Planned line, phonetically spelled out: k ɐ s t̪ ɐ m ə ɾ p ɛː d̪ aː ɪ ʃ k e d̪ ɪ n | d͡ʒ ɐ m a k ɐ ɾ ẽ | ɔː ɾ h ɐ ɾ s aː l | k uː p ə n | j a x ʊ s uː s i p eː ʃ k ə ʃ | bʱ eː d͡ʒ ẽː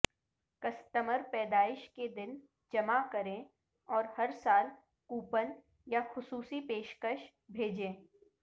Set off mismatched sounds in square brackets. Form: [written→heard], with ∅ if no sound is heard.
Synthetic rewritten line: k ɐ s t̪ [ɐ→ə] m ə ɾ p ɛː d̪ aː ɪ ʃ k e d̪ ɪ n | d͡ʒ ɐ m a k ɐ ɾ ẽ | ɔː ɾ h ɐ ɾ s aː l | k uː p ə n | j a x ʊ s uː s i p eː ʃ k ə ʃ | bʱ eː d͡ʒ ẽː